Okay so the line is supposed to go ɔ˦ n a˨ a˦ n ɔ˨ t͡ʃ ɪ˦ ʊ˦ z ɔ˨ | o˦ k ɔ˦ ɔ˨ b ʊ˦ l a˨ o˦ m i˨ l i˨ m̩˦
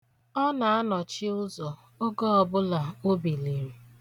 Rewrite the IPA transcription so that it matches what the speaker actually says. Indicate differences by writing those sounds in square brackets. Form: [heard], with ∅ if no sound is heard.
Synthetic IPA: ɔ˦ n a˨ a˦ n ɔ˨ t͡ʃ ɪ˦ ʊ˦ z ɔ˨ | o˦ [ɡ] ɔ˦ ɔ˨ b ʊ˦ l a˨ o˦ [b] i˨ l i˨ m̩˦